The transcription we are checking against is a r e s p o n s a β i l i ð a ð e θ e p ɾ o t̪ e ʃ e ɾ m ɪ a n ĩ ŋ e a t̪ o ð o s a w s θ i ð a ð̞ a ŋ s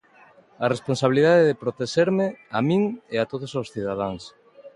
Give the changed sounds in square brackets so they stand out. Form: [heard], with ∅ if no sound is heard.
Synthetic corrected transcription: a r e s p o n s a β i l i ð a ð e [ð] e p ɾ o t̪ e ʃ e ɾ m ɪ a [m] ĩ ŋ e a t̪ o ð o s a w s θ i ð a ð̞ a ŋ s